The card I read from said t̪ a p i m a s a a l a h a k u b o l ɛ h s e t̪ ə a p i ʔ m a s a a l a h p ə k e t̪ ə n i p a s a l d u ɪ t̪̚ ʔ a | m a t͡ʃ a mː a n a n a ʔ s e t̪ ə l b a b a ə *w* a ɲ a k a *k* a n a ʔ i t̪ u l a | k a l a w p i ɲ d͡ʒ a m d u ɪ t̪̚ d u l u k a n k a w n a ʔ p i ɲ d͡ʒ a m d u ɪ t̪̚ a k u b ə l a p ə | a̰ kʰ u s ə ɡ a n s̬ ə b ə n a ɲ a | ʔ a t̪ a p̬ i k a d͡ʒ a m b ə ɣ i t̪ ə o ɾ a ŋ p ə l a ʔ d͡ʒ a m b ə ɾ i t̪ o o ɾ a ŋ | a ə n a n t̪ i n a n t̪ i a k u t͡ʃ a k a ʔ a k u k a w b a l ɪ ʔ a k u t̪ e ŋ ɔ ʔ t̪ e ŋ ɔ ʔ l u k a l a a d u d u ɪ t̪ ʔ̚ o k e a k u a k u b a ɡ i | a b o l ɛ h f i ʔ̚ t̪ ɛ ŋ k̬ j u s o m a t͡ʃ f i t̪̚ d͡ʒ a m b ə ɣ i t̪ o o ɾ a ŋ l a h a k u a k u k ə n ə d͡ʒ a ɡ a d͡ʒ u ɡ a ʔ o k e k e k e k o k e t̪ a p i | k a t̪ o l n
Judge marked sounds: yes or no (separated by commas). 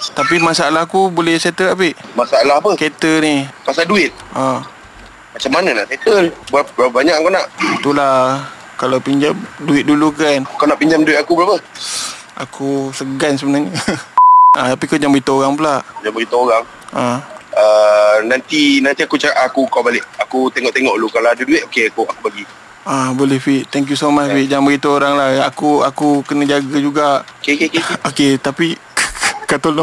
no, yes